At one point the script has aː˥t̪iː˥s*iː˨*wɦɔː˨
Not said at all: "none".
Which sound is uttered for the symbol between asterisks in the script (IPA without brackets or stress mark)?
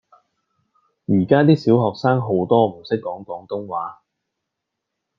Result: iː˨˥